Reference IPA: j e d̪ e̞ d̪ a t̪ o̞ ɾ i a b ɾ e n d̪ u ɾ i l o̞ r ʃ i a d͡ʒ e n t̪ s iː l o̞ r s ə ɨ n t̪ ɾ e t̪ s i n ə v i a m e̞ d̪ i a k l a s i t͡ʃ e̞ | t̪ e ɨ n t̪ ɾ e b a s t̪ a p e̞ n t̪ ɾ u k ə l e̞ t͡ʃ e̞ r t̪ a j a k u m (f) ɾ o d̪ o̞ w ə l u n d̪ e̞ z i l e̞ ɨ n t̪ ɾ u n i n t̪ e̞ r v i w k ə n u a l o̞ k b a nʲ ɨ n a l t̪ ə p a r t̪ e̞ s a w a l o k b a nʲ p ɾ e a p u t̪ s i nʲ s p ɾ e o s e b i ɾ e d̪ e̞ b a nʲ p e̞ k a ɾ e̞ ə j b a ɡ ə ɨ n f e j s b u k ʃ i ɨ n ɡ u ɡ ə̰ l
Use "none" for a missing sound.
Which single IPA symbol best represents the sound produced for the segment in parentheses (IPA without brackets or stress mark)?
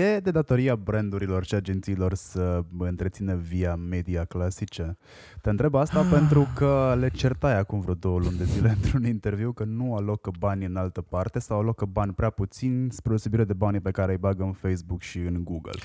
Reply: v